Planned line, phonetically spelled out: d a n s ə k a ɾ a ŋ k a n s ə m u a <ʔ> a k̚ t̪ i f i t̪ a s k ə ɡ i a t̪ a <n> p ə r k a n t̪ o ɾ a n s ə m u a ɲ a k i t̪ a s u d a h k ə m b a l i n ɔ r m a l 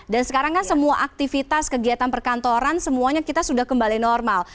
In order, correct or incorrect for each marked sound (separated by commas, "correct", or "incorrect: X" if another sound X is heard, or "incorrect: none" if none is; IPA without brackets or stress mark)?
correct, correct